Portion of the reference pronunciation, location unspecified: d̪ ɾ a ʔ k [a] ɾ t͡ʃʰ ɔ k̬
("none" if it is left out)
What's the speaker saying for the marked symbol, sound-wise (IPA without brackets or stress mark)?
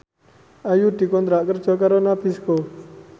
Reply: ə